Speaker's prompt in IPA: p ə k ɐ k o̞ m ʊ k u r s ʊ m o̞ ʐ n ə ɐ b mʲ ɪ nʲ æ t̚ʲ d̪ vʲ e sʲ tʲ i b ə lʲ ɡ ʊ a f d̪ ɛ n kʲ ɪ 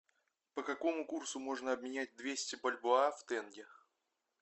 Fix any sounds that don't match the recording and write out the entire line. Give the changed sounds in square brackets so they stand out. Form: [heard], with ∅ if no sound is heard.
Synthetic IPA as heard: p ə k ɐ k o̞ m ʊ k u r s ʊ m o̞ ʐ n ə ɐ b mʲ ɪ nʲ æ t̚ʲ d̪ vʲ e sʲ tʲ [ɪ] b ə lʲ [b] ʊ a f [t̪] ɛ n [ɡʲ] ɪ